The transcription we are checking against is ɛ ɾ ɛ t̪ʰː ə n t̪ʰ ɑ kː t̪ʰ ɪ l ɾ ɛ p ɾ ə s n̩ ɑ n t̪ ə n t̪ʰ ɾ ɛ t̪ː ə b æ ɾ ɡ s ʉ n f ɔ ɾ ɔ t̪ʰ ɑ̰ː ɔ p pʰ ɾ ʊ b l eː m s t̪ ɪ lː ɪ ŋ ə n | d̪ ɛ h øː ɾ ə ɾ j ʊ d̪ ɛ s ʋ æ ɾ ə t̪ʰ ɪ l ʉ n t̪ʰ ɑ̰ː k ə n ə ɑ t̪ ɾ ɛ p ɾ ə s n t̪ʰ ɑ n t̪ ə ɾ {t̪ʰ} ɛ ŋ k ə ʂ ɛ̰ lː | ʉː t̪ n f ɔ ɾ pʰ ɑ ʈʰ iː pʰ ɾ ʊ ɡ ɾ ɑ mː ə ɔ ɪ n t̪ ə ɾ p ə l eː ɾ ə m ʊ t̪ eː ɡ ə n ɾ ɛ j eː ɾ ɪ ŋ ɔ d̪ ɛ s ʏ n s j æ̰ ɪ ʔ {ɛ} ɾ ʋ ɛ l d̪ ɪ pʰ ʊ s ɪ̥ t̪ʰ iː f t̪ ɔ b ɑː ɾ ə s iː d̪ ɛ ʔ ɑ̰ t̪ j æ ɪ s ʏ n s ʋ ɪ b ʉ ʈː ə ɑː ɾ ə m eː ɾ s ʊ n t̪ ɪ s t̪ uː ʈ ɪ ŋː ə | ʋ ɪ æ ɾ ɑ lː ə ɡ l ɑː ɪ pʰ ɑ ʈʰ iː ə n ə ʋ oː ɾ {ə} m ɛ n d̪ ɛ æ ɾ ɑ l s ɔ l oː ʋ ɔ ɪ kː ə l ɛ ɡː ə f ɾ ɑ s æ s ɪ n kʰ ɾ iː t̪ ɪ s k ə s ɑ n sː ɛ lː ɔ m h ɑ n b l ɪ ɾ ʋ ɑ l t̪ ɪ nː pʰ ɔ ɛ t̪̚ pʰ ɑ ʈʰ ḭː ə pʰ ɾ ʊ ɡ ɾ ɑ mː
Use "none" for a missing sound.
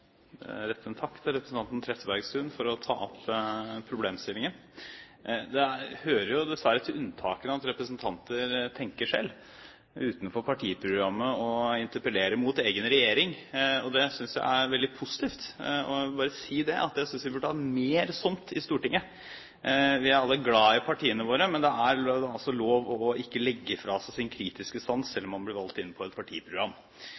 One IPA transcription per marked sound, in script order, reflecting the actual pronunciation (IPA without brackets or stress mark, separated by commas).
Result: t̪ʰ, æ, ə